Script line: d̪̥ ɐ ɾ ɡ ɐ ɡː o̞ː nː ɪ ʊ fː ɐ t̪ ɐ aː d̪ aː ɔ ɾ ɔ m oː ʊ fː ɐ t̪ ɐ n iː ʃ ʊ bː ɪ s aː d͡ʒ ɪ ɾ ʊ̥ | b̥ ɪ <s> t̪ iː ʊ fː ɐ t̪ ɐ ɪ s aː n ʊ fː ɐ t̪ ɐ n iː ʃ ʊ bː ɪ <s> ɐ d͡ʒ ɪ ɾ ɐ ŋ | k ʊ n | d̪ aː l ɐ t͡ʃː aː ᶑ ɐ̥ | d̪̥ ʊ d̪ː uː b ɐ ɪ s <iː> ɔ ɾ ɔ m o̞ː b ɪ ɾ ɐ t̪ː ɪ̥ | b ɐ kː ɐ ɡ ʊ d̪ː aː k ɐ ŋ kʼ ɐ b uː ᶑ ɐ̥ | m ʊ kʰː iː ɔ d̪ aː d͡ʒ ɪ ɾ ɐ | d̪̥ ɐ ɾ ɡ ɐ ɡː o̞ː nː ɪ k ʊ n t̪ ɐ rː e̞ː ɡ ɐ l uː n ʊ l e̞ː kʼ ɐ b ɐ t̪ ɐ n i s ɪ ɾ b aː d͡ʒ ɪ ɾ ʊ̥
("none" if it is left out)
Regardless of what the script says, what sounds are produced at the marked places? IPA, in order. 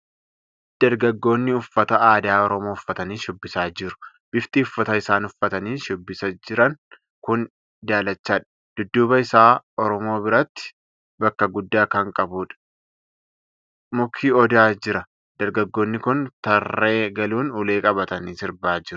f, s, aː

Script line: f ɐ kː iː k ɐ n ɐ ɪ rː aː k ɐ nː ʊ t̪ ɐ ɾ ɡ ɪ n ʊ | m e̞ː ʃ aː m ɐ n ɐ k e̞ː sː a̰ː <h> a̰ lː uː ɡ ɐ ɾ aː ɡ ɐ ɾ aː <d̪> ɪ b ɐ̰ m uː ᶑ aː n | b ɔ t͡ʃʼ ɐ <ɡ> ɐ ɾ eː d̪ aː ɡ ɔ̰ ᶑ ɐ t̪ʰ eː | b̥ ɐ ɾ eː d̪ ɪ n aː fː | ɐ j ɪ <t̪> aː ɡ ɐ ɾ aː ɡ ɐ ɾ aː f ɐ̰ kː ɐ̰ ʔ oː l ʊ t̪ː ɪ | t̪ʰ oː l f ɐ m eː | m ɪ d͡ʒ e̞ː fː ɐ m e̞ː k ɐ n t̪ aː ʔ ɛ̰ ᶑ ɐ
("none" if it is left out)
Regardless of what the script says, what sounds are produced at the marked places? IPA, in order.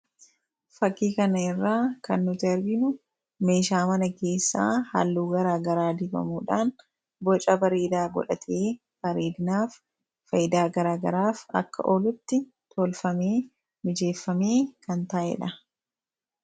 h, d̪, b, d̪

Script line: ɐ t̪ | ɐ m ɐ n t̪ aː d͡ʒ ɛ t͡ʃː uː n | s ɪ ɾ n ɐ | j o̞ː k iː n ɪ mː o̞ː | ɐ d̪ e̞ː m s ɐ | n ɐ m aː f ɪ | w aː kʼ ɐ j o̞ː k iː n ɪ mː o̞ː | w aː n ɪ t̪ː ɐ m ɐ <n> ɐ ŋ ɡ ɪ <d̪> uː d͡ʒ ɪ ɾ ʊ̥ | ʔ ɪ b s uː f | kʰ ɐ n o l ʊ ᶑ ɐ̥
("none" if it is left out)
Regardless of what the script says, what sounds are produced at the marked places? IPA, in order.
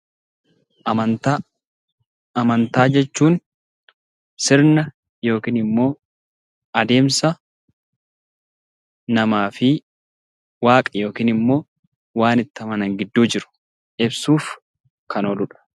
n, d̪ː

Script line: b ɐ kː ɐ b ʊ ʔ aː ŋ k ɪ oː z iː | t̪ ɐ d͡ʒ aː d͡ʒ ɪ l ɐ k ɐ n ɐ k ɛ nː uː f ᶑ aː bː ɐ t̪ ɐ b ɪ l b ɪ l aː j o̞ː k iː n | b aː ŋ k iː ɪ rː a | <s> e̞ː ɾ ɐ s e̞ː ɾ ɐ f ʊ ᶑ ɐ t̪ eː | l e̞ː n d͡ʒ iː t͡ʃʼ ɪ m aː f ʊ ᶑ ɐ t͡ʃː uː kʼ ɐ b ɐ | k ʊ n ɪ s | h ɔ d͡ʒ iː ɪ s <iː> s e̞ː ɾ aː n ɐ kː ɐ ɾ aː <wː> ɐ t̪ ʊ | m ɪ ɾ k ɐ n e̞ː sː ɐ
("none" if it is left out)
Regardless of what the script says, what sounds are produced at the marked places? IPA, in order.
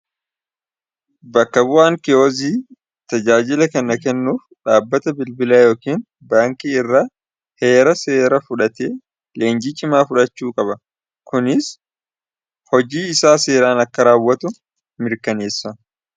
h, aː, wː

